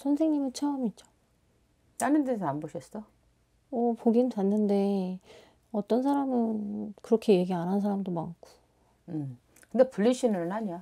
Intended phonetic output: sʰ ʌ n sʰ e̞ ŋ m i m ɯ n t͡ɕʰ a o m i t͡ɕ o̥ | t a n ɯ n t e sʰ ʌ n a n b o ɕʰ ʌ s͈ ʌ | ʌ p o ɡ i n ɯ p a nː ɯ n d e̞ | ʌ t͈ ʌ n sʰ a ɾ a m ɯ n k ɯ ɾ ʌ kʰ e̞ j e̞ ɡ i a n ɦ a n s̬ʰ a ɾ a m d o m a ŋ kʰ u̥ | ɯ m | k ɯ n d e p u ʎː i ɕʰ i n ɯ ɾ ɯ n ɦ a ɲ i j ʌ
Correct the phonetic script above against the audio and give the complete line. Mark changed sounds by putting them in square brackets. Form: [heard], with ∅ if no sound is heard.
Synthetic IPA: sʰ ʌ n sʰ e̞ ŋ [ɲ] i m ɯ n t͡ɕʰ a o m i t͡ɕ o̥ | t a n ɯ n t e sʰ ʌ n a n b o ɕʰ ʌ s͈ ʌ | ʌ p o ɡ i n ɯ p a nː ɯ n d e̞ | ʌ t͈ ʌ n sʰ a ɾ a m ɯ n k ɯ ɾ ʌ kʰ e̞ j e̞ ɡ i a n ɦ a n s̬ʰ a ɾ a m d o m a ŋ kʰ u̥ | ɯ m | k ɯ n d e p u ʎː i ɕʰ i n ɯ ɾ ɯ n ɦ a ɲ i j [a]